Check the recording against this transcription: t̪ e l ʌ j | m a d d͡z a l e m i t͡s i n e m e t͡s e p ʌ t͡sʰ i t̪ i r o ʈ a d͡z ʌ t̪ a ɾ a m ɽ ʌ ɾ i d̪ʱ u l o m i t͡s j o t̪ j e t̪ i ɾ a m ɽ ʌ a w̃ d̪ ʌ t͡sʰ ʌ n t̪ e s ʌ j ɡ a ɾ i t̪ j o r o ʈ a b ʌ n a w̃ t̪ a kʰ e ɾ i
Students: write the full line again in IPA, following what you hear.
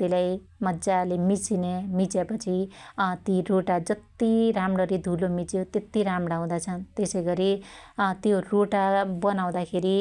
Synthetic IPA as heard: t̪ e l a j | m ʌ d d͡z a l e m i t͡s i n e m i t͡s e p ʌ t͡sʰ i t̪ i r o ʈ a d͡z ʌ t̪ i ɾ a m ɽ ʌ ɾ i d̪ʱ u l o m i t͡s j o t̪ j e t̪ i ɾ a m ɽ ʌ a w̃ d̪ a t͡sʰ ʌ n t̪ e s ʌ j ɡ ʌ ɾ i t̪ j o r o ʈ a b ʌ n a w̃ d̪ a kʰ e ɾ i